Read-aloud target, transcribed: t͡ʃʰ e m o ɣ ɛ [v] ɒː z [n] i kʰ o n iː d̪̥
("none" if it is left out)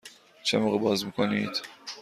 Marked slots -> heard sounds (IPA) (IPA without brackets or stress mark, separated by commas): b, m